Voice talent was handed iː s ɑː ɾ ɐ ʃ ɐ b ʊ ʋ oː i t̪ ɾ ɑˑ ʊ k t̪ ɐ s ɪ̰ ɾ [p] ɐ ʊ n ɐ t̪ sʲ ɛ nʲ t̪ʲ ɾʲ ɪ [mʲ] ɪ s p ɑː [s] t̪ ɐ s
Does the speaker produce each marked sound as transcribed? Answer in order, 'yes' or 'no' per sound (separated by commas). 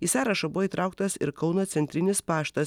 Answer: no, no, no